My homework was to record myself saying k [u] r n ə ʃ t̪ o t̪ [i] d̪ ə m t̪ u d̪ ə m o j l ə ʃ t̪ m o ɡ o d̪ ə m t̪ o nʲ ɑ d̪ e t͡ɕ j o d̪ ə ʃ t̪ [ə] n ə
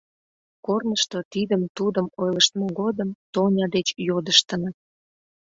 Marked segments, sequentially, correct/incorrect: incorrect, correct, correct

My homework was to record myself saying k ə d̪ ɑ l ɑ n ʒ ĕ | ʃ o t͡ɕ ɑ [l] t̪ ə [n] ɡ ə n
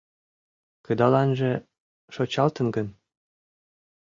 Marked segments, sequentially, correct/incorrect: correct, correct

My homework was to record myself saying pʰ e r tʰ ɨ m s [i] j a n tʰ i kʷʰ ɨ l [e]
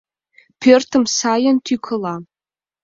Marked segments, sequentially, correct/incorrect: incorrect, incorrect

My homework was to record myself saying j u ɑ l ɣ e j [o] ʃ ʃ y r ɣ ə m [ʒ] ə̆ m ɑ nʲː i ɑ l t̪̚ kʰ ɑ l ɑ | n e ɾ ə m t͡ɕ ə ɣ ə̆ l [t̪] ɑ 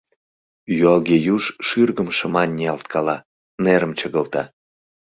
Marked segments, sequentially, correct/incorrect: incorrect, incorrect, correct

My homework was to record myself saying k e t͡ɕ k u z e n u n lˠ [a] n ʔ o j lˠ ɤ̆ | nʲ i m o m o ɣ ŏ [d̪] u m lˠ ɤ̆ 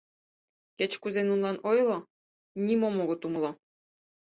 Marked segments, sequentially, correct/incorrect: incorrect, incorrect

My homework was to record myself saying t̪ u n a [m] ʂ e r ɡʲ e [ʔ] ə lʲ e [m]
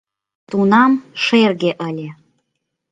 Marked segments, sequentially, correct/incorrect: correct, correct, incorrect

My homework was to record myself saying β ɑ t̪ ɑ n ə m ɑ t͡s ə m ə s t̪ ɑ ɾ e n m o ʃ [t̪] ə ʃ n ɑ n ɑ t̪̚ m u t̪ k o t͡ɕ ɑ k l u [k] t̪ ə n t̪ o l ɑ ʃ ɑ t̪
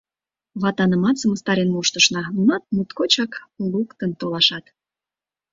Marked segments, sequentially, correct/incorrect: correct, correct

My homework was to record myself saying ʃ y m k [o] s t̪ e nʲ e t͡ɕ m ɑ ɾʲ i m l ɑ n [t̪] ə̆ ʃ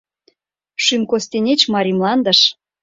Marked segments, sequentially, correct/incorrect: correct, incorrect

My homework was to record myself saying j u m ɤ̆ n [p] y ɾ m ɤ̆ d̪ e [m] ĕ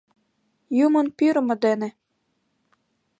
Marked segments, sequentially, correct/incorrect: correct, incorrect

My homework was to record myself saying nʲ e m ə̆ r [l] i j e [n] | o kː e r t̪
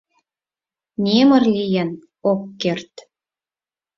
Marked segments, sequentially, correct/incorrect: correct, correct

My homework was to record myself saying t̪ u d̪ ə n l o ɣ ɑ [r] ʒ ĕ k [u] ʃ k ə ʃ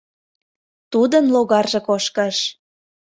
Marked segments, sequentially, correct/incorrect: correct, incorrect

